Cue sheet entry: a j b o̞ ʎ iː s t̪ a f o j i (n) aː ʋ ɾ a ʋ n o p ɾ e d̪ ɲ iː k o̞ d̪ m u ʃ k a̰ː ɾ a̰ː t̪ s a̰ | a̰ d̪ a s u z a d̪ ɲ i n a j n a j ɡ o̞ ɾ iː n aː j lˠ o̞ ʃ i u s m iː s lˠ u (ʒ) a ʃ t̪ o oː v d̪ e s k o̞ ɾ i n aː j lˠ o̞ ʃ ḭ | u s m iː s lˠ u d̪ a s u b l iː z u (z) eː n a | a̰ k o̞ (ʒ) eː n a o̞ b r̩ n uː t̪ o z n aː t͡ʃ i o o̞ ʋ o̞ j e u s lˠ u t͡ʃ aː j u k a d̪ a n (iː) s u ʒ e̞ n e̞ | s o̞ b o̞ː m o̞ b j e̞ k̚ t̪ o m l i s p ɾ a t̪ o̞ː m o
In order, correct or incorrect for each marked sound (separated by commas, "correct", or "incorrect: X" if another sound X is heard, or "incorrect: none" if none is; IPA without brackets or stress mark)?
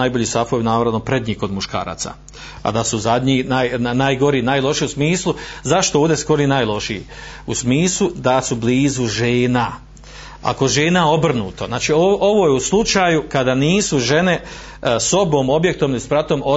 correct, incorrect: z, incorrect: ʒ, correct, correct